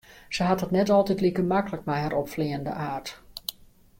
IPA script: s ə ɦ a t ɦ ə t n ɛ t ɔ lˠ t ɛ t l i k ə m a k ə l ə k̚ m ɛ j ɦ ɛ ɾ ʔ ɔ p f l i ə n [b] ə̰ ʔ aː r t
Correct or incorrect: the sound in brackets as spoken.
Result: incorrect: d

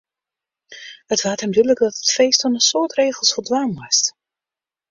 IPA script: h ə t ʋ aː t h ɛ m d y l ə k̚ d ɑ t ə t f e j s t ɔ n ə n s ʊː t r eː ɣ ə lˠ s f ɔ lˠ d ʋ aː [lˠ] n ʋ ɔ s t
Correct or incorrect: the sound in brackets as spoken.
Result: incorrect: none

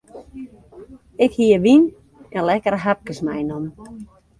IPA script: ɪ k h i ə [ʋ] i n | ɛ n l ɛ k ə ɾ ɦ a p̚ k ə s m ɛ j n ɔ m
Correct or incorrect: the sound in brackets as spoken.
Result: correct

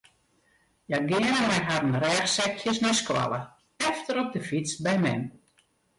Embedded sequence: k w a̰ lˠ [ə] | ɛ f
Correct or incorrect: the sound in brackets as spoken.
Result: correct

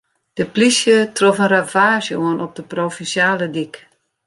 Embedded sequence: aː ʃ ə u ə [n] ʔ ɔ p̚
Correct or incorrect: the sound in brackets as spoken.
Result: correct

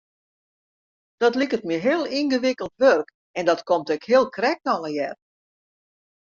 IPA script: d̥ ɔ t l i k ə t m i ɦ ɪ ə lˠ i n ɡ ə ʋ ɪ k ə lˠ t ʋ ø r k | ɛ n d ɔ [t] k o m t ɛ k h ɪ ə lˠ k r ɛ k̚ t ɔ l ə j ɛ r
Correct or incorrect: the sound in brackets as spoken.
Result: correct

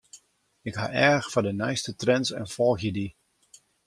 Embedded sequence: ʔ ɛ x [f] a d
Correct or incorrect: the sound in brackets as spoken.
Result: correct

